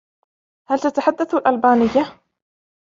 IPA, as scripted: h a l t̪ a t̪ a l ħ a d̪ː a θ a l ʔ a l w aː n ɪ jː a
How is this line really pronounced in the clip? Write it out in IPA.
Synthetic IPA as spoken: h a l t̪ a t̪ a ħ a d̪ː a θ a l ʔ a l b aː n ɪ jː a